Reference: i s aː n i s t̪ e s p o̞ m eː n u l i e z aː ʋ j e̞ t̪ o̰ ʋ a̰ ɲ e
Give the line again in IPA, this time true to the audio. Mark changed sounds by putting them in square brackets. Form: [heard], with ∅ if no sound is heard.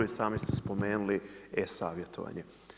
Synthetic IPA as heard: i s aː [m] i s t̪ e s p o̞ m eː n u l i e [s] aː ʋ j e̞ t̪ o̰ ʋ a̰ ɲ e